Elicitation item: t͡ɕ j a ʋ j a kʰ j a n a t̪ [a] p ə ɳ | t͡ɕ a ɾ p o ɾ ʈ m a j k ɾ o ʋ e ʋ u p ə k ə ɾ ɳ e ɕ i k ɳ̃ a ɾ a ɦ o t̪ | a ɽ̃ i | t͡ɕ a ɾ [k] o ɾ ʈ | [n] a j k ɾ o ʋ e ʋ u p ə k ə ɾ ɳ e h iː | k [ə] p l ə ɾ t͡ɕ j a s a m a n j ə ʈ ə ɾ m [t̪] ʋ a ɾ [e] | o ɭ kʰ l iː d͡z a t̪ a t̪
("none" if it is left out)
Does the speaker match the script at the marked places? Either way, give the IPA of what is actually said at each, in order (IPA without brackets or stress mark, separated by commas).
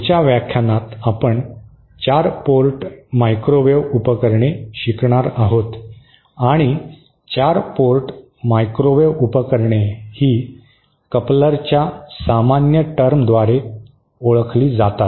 a, p, m, ə, d̪, e